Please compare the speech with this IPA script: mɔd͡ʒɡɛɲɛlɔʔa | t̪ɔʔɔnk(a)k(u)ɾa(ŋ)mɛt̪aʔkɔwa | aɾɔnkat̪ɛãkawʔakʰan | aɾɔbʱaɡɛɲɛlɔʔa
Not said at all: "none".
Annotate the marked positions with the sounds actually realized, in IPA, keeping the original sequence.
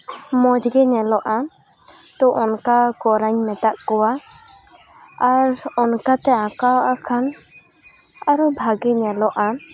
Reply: a, ɔ, ɲ

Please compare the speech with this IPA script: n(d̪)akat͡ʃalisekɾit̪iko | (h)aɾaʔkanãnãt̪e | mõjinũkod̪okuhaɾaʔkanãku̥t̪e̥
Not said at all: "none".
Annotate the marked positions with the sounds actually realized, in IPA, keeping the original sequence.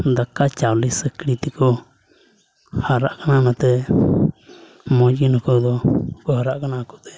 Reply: d̪, h

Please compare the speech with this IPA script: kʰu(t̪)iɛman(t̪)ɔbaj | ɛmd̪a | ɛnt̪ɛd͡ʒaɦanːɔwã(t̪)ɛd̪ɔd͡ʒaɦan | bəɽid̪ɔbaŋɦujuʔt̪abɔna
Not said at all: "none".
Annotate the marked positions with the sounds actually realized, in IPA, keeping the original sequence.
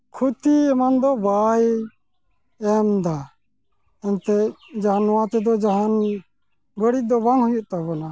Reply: t̪, d̪, t̪

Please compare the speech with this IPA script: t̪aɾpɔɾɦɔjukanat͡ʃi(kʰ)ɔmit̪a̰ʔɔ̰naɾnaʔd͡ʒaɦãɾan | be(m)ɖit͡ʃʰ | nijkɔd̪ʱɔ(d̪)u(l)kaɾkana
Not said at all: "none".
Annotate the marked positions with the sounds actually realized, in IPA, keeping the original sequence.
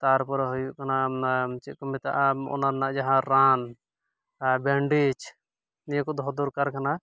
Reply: k, ɳ, d̪, ɾ

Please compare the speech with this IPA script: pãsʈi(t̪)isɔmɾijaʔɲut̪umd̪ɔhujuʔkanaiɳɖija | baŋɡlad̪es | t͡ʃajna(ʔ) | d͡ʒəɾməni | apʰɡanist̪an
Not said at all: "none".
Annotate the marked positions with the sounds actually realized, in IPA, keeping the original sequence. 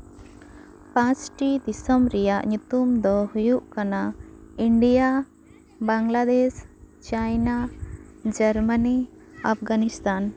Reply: d̪, none

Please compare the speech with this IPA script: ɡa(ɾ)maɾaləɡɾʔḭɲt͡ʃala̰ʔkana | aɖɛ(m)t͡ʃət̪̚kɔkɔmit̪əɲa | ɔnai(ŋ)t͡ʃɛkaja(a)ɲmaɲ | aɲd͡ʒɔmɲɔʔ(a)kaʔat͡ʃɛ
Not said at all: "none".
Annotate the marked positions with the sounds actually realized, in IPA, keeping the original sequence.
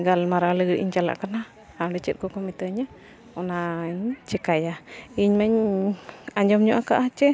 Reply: l, none, ɲ, i, a

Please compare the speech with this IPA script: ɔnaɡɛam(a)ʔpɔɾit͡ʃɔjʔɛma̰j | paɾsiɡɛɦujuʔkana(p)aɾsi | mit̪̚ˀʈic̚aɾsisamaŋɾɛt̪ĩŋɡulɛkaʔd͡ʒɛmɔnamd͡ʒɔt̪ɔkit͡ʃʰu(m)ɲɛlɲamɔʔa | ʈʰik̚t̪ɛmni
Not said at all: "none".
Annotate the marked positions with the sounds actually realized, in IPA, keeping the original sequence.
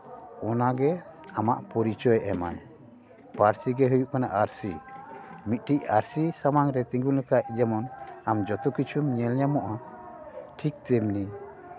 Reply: a, ʔ, m

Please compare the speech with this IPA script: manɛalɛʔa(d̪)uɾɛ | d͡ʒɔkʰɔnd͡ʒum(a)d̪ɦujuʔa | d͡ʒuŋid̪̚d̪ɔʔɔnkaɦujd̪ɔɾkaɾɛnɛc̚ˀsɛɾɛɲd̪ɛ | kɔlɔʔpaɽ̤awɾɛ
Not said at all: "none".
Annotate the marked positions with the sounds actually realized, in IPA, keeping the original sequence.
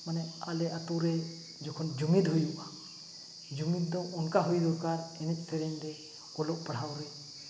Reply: t̪, i

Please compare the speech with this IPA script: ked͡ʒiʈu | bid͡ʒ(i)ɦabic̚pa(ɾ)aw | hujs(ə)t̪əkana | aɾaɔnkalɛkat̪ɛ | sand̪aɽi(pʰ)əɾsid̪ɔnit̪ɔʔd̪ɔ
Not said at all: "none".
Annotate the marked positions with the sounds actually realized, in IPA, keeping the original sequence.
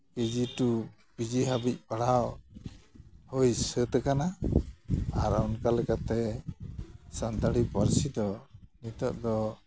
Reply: i, ɽ, ə, p

